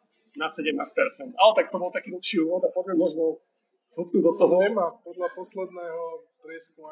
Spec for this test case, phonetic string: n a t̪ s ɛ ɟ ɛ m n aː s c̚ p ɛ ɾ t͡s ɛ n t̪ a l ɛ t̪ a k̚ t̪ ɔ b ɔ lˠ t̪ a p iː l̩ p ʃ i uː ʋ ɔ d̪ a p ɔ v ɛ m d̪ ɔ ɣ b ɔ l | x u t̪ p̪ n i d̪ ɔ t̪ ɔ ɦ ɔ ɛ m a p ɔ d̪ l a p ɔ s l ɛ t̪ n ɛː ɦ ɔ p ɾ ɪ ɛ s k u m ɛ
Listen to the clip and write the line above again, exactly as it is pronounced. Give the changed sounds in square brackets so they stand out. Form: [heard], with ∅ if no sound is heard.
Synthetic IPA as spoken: n a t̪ s ɛ ɟ ɛ m n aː s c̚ p ɛ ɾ t͡s ɛ n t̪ a l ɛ t̪ a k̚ t̪ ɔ b ɔ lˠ t̪ a [k] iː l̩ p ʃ i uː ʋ ɔ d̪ a p ɔ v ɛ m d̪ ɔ [z] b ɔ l | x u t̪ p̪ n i d̪ ɔ t̪ ɔ ɦ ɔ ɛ m a p ɔ d̪ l a p ɔ s l ɛ [d̪] n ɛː ɦ ɔ p ɾ ɪ ɛ s k u m [a]